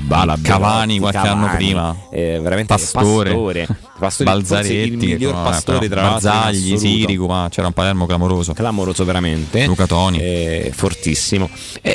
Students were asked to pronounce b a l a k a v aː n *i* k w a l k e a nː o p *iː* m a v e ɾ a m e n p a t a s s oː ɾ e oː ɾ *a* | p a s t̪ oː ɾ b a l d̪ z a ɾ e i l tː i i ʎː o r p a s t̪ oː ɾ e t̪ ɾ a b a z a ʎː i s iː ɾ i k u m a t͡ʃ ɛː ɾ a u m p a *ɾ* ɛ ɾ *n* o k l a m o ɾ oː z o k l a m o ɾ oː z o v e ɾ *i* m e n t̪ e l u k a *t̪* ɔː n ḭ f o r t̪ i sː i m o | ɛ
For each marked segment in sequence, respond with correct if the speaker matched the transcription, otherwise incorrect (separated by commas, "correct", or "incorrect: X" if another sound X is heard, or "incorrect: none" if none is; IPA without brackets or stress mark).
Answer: correct, correct, incorrect: e, incorrect: l, incorrect: m, incorrect: a, correct